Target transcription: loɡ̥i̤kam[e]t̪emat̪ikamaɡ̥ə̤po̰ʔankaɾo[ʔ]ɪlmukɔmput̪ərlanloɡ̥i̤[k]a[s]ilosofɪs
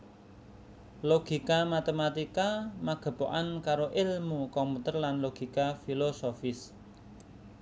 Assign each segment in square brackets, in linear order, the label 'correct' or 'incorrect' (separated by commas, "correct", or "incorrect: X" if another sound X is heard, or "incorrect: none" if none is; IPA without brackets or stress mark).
incorrect: a, correct, correct, incorrect: f